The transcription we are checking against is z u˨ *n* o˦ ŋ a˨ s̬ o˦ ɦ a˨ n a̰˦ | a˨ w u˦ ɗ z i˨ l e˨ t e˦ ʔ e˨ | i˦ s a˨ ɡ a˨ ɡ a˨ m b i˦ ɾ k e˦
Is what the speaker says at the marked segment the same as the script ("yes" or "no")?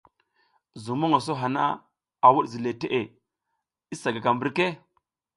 no